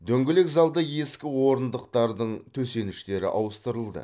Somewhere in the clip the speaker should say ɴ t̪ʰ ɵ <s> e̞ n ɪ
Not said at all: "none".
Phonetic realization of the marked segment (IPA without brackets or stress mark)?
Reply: s